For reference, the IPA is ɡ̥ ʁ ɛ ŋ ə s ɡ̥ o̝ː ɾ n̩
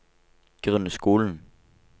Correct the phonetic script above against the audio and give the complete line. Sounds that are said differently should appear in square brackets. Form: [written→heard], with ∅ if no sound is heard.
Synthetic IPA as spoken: ɡ̥ ʁ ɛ [ŋ→n] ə s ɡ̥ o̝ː [ɾ→l] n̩

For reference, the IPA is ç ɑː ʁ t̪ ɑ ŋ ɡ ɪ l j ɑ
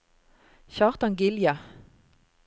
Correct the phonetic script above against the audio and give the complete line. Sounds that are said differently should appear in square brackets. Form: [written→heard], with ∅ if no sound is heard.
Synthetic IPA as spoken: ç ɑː ʁ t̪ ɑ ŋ ɡ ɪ l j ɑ

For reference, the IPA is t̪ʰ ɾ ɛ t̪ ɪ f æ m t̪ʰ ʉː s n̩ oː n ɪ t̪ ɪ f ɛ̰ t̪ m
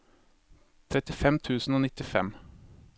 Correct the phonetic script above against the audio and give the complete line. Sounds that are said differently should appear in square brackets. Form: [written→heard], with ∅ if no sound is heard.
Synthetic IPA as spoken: t̪ʰ ɾ ɛ t̪ ɪ f [æ→ɛ] m t̪ʰ ʉː s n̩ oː n ɪ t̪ ɪ f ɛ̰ [t̪→∅] m

